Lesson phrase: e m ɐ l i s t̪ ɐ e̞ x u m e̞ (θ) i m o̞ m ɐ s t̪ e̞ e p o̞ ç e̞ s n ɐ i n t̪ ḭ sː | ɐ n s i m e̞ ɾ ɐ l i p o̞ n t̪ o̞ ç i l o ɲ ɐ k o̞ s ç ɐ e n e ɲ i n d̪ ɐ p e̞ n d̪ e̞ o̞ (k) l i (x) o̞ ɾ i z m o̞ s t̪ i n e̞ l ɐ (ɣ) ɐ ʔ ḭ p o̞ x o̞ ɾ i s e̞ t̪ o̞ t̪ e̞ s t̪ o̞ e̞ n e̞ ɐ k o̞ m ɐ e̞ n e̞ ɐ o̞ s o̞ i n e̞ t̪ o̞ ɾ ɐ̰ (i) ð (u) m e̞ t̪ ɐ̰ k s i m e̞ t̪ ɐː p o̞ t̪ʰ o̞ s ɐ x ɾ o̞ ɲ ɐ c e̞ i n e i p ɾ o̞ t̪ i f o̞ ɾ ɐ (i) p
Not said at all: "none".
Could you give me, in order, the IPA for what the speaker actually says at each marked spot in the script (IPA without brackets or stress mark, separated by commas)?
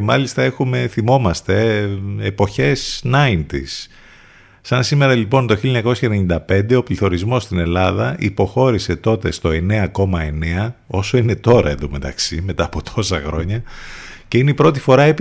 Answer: θ, p, θ, ð, e, o, e